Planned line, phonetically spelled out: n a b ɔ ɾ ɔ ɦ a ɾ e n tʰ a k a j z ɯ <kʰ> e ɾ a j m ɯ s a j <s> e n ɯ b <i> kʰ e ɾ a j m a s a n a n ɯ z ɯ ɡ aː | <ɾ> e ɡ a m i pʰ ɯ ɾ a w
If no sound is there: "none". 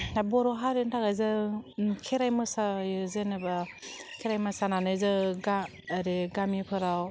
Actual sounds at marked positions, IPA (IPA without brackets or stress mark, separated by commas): kʰ, z, a, ɾ